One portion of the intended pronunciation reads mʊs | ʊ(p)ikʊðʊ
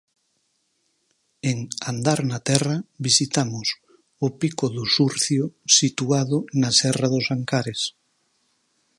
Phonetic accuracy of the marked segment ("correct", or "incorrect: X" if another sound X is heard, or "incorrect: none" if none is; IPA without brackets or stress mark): correct